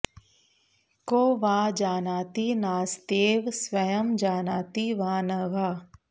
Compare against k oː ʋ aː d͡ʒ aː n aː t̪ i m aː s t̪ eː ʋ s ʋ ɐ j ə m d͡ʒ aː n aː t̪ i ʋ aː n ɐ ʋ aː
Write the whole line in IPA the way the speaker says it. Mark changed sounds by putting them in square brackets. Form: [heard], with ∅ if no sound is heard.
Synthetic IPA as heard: k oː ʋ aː d͡ʒ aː n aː t̪ i [n] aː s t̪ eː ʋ s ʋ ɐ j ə m d͡ʒ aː n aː t̪ i ʋ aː n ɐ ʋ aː